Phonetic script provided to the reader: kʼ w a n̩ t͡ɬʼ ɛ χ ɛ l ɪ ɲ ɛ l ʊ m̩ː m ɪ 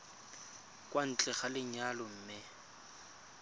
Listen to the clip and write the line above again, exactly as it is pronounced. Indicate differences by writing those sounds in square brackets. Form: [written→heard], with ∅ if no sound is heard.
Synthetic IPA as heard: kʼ w a n̩ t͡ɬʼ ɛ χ [ɛ→a] l ɪ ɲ [ɛ→a] l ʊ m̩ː m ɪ